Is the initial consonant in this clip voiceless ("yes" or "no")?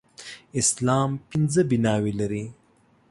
yes